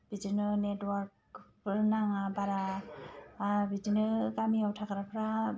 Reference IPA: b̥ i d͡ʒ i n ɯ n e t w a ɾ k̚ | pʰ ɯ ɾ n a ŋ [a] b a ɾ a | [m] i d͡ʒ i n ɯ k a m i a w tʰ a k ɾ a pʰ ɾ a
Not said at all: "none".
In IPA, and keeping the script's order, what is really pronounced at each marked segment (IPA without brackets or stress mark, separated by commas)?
a, b